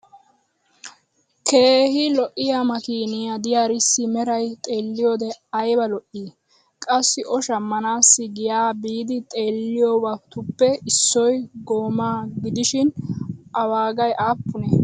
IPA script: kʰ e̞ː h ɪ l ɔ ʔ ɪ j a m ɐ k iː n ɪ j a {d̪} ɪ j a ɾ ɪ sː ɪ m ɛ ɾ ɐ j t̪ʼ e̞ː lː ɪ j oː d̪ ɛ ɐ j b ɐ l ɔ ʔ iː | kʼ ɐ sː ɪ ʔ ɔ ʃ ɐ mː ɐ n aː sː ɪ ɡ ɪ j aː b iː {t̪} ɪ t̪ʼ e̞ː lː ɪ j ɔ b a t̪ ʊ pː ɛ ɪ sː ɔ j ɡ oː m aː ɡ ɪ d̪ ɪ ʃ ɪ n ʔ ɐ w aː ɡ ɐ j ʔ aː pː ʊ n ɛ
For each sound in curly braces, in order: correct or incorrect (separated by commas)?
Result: correct, incorrect